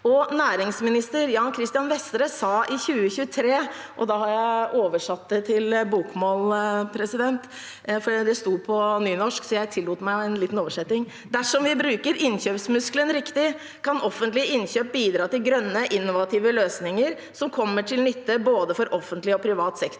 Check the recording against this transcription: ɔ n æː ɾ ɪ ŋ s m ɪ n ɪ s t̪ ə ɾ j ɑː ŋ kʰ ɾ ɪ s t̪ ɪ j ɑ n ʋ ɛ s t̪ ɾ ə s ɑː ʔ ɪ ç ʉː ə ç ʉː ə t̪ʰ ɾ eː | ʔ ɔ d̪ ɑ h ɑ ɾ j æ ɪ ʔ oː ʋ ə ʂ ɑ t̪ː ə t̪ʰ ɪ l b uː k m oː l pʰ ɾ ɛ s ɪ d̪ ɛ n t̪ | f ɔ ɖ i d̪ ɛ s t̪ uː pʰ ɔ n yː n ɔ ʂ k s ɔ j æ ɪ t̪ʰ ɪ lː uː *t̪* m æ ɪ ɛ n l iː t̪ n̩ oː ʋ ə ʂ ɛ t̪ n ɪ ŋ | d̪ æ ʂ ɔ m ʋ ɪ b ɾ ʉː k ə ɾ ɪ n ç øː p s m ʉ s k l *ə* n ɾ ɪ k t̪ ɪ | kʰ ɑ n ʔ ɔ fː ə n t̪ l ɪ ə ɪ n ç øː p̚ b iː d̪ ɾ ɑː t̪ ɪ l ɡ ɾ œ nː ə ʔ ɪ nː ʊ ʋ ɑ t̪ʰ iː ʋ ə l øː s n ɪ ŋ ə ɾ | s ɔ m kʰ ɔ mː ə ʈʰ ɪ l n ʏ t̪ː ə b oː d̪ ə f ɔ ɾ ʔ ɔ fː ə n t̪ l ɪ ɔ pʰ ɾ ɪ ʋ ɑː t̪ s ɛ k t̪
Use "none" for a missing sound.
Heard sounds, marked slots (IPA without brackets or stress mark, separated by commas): t̪, ə